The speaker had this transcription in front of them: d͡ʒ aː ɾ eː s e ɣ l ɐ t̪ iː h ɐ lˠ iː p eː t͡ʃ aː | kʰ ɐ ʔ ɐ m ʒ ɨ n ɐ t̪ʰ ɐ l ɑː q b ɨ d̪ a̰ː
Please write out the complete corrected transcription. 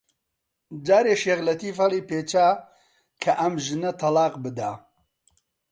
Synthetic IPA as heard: d͡ʒ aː ɾ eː ʃ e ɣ l ɐ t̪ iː f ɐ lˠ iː p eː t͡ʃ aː | kʰ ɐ ʔ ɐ m ʒ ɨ n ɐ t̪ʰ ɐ l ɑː q b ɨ d̪ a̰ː